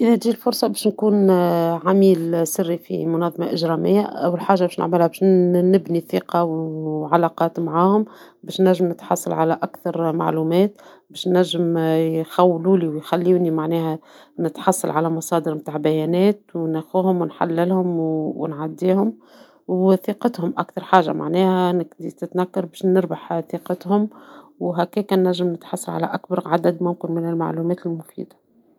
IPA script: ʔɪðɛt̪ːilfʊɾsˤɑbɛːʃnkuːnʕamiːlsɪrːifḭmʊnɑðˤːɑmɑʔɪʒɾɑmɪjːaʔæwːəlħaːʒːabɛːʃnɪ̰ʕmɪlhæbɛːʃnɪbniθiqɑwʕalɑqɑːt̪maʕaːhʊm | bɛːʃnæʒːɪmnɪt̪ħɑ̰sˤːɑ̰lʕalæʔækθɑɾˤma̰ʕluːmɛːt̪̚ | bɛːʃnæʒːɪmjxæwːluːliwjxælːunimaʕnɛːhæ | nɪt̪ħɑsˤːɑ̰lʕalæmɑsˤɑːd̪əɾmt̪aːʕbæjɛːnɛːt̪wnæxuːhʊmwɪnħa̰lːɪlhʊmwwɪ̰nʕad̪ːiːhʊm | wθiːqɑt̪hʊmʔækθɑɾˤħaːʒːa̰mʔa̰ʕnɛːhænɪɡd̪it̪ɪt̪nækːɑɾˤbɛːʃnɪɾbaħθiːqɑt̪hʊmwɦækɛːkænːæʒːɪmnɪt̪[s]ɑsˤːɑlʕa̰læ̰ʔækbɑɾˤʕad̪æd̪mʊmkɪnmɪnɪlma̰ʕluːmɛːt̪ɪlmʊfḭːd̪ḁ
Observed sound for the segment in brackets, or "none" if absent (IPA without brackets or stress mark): ħ